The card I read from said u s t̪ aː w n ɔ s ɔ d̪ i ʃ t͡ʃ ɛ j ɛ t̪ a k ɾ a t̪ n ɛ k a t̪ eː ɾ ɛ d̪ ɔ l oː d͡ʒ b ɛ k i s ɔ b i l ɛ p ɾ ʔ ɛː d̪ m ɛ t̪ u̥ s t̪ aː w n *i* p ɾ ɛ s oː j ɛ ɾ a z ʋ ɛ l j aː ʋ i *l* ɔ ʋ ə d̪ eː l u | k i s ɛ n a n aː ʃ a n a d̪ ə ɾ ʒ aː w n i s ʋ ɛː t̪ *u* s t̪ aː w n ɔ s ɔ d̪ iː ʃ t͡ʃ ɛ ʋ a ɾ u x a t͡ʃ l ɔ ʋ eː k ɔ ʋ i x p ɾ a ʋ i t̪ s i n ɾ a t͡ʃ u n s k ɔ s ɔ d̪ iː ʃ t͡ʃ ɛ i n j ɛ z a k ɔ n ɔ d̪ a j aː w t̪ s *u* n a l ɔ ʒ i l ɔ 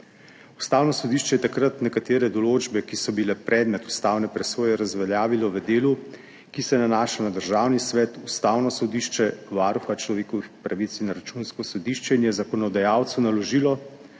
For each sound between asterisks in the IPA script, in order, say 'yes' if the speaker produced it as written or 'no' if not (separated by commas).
no, yes, yes, yes